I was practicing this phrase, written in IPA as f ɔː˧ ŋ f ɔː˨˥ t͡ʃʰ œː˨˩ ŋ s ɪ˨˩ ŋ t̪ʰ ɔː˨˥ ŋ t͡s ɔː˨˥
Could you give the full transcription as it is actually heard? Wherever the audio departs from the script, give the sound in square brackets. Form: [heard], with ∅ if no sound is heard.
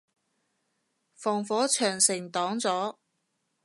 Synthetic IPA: f [ɔː˨˩] ŋ f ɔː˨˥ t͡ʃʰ œː˨˩ ŋ s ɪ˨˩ ŋ [t̪] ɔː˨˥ ŋ t͡s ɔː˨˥